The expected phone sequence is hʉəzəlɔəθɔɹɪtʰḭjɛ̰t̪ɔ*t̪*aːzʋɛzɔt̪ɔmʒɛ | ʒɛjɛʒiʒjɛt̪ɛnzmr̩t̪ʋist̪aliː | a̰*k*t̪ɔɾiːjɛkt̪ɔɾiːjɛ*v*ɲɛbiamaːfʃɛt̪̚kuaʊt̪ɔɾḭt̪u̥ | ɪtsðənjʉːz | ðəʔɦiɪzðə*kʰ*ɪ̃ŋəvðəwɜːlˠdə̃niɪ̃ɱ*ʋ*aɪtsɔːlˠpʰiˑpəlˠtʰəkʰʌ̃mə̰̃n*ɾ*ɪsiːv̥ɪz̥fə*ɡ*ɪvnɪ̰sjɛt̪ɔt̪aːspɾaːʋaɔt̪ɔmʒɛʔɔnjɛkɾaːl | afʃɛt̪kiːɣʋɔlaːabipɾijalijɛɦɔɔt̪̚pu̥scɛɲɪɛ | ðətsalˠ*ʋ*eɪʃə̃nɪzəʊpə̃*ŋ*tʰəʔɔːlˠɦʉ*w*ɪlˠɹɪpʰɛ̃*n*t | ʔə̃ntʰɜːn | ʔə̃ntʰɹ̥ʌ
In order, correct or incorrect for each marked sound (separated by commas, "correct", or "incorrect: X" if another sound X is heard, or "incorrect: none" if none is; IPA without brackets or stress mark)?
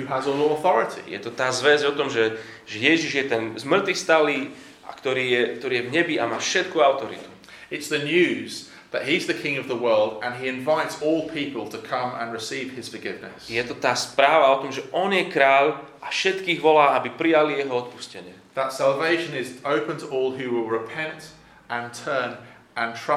correct, correct, correct, correct, incorrect: v, incorrect: ɹ, correct, incorrect: v, incorrect: n, correct, correct